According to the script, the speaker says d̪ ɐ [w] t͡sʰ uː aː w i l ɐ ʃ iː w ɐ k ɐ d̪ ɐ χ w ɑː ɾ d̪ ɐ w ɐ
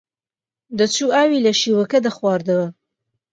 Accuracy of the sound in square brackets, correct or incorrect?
incorrect